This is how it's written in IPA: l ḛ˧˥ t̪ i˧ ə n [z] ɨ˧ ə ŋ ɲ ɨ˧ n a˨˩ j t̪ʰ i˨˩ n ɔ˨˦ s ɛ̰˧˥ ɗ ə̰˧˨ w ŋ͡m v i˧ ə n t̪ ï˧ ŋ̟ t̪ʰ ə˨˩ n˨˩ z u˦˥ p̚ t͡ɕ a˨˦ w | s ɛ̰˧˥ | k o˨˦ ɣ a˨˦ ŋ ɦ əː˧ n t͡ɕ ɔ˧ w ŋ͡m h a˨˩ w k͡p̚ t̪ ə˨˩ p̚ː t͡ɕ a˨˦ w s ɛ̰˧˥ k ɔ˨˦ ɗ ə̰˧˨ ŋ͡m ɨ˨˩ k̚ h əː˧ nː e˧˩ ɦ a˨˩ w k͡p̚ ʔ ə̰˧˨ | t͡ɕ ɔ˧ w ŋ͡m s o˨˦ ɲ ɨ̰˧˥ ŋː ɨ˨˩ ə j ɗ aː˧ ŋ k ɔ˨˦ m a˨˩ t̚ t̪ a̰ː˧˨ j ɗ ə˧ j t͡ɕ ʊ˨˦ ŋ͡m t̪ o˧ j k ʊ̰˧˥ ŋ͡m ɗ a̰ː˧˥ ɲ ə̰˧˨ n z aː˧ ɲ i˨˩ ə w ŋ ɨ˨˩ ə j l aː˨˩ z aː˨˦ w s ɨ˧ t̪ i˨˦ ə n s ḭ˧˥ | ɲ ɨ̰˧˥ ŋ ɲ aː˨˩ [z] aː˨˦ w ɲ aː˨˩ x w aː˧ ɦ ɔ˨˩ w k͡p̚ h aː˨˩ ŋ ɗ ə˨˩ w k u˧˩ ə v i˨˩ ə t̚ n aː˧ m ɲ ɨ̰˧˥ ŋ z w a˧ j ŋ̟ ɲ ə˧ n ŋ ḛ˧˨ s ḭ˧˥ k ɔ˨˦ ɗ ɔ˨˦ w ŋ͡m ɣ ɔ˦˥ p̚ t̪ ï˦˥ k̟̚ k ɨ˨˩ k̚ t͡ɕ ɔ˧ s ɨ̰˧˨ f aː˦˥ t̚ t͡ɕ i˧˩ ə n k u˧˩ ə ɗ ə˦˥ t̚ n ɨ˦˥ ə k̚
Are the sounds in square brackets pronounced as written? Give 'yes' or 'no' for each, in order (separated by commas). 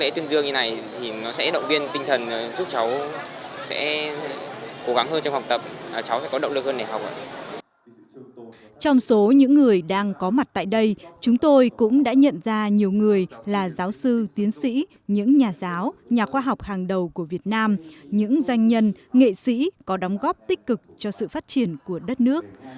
yes, yes